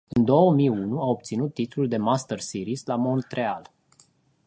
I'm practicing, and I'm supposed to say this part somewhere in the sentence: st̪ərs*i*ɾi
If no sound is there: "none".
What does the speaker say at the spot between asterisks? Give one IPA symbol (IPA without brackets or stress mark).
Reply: i